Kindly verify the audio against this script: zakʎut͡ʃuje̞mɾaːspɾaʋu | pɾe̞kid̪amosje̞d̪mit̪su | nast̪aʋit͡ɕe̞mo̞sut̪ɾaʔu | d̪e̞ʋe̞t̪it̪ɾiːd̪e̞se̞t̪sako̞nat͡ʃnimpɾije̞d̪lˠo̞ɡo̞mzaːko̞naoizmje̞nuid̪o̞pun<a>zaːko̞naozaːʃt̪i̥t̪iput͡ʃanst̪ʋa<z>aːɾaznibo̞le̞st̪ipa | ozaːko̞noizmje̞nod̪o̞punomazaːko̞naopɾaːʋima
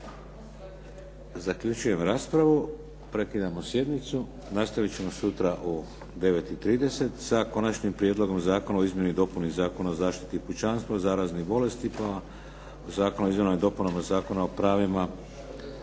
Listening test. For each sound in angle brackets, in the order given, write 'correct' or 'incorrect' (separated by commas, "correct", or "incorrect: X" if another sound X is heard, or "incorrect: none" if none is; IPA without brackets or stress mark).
incorrect: i, correct